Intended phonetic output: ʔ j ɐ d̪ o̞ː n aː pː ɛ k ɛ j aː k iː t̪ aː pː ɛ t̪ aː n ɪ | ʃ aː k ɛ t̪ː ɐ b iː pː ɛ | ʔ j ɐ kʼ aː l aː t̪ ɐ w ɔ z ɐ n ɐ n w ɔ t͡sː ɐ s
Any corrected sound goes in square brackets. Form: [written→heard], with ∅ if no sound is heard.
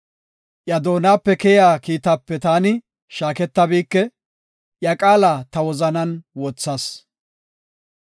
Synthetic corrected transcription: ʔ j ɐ d̪ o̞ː n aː pː ɛ k ɛ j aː k iː t̪ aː pː ɛ t̪ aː n ɪ | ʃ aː k ɛ t̪ː ɐ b iː [pː→kː] ɛ | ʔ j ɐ kʼ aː l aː t̪ ɐ w ɔ z ɐ n ɐ n w ɔ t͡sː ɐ s